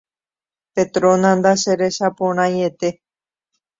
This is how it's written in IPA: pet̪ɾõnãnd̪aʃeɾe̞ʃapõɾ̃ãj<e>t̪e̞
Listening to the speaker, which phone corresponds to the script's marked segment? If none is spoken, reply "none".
e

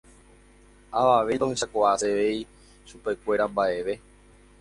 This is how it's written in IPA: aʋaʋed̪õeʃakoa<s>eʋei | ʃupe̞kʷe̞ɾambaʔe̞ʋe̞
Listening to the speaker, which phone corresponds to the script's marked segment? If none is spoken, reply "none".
s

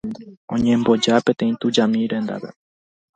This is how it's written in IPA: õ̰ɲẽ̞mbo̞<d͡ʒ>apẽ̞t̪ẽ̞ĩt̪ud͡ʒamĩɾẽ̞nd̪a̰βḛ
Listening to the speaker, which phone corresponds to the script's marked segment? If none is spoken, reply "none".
d͡ʒ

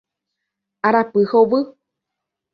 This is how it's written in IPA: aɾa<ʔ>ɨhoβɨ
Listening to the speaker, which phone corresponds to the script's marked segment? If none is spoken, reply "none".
p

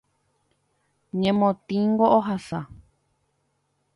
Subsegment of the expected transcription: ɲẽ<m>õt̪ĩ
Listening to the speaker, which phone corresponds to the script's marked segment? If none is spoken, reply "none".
m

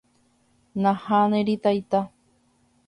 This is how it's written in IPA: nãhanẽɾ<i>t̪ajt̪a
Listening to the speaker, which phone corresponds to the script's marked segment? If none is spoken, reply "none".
i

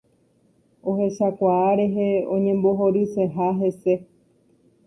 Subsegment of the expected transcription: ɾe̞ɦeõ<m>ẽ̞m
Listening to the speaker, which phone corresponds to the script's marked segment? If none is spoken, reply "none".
ɲ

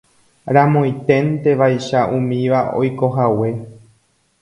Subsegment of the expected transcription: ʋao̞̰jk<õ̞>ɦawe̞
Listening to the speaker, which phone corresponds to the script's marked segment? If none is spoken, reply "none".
o̞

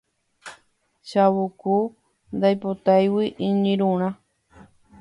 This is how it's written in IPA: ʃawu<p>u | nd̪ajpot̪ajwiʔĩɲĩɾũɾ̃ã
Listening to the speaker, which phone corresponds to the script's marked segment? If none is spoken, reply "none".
k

